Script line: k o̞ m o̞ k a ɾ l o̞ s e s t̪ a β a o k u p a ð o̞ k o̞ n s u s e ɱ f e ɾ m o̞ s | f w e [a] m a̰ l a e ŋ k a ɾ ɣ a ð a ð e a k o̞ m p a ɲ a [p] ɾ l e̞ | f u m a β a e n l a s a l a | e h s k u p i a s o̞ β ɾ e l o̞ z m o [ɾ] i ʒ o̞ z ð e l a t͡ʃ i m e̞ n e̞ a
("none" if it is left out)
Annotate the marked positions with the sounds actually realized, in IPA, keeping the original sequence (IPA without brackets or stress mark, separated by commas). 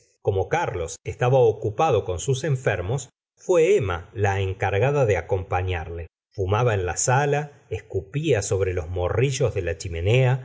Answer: e, none, r